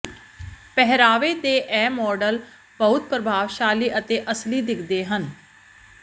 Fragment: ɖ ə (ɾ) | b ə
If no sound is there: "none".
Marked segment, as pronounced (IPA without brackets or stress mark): l